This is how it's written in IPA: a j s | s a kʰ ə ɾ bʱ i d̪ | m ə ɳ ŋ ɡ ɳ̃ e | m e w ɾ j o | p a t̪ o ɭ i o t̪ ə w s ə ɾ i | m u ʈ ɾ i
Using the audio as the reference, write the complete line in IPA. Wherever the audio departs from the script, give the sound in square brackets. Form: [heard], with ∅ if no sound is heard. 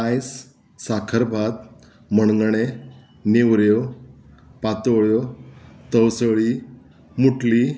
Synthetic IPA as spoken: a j s | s a kʰ ə ɾ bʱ [a] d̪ | m ə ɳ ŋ ɡ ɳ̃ e | [n] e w ɾ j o | p a t̪ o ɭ [j] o t̪ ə w s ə [ɭ] i | m u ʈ [l] i